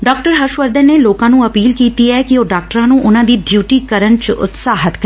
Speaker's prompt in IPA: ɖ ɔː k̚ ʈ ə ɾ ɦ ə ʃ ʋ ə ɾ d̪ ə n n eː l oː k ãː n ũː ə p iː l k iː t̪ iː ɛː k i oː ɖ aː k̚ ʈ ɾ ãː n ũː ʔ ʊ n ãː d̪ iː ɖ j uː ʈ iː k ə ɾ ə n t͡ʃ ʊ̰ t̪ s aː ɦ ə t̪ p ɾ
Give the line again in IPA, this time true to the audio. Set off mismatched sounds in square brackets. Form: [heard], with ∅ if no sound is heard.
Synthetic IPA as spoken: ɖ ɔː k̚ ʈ ə ɾ ɦ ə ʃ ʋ ə ɾ d̪ ə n n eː l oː k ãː n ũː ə p iː l k iː t̪ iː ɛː k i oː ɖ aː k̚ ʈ ɾ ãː n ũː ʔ ʊ n ãː d̪ iː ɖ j uː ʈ iː k ə ɾ ə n t͡ʃ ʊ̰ t̪ s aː ɦ ə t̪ [k] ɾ